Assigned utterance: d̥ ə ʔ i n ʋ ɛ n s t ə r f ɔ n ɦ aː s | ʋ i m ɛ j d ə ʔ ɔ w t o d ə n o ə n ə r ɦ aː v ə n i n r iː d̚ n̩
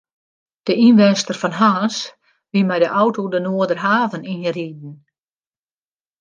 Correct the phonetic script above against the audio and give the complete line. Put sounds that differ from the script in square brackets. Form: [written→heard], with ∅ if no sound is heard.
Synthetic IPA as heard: d̥ ə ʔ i n ʋ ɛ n s t ə r f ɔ n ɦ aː s | ʋ i m ɛ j d ə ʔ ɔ w t o d ə n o ə [n→d] ə r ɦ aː v ə n i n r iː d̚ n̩